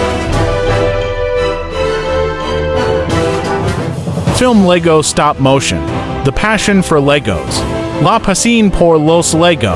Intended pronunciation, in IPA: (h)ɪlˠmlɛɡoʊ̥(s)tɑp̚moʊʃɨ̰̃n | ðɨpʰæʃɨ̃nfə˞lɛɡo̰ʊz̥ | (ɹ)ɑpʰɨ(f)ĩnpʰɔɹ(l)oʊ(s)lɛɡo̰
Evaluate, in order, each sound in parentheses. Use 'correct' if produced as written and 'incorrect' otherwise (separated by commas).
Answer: incorrect, correct, incorrect, incorrect, correct, correct